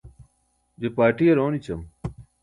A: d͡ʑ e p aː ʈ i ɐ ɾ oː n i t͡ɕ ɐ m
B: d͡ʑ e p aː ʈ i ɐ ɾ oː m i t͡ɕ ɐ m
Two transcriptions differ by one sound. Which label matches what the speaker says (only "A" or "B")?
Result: A